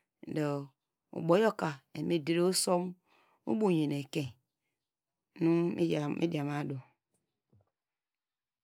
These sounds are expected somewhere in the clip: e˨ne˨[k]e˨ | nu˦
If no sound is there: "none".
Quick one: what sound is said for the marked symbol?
k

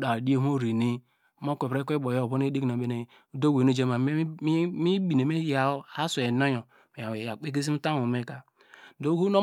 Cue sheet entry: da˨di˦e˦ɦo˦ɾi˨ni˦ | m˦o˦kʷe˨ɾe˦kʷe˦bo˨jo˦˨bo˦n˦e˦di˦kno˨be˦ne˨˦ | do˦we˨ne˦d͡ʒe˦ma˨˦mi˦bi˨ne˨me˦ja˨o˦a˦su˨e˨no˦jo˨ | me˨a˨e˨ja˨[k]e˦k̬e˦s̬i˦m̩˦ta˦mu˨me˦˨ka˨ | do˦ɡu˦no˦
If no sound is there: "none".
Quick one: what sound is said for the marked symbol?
k͡p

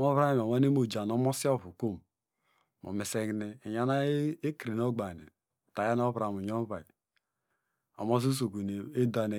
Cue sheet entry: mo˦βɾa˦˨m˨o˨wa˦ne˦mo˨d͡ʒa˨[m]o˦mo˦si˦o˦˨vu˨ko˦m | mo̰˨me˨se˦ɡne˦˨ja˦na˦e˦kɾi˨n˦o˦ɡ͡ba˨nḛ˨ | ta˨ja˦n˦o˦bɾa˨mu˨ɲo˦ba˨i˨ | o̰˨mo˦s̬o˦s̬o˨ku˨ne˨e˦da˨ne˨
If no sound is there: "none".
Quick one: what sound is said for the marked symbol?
n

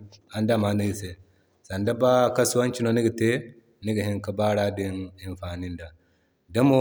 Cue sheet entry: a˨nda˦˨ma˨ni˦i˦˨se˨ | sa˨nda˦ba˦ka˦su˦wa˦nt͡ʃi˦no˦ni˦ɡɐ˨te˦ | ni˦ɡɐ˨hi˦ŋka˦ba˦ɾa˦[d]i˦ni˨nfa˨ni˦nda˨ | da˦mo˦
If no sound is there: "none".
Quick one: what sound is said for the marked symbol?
d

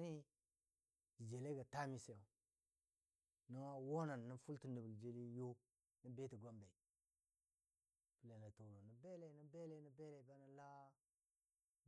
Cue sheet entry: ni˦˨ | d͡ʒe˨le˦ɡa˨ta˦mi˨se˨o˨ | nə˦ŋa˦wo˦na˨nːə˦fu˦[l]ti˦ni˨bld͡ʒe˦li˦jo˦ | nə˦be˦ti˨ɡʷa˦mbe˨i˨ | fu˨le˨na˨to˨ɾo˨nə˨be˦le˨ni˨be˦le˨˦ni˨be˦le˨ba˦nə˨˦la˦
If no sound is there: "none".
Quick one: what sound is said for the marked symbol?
l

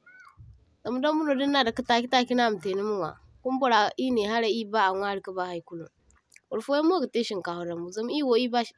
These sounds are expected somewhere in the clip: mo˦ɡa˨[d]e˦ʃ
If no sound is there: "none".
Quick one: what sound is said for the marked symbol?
t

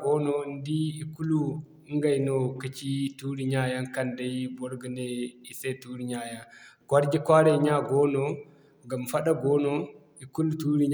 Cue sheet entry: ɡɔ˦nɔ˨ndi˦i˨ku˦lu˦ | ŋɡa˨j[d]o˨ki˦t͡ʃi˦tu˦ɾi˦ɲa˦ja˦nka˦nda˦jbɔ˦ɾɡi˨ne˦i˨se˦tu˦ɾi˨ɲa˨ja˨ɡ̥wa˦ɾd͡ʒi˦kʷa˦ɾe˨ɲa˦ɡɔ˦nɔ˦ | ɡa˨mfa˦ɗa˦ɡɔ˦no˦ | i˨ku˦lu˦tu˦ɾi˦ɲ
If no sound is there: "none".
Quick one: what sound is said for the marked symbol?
n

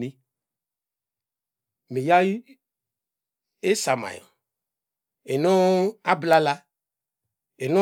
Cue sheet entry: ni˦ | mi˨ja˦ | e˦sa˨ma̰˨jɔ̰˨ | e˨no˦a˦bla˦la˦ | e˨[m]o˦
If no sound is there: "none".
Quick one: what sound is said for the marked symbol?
n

